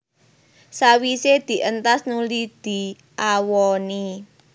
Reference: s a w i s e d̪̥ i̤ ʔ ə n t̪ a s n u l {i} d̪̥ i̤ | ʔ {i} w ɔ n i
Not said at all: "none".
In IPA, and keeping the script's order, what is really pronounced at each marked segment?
i, a

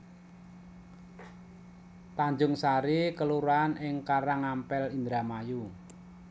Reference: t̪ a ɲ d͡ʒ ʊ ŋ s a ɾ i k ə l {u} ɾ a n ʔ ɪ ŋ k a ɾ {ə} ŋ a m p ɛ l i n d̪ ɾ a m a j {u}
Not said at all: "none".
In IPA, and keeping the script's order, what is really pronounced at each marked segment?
u, a, u

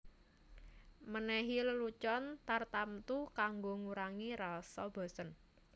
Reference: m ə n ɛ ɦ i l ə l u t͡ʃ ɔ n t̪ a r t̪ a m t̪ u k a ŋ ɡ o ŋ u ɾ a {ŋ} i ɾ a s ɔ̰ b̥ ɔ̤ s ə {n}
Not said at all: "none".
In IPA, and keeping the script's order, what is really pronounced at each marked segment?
ŋ, n

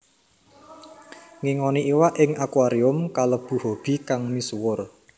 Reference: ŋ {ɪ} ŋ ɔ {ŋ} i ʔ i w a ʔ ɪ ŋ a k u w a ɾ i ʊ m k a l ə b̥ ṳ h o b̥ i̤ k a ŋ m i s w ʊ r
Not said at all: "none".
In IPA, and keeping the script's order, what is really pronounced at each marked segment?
i, n

